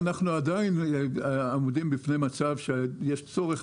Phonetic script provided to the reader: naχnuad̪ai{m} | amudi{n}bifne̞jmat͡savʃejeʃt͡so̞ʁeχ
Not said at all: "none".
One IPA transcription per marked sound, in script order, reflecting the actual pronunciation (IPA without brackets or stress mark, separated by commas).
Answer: n, m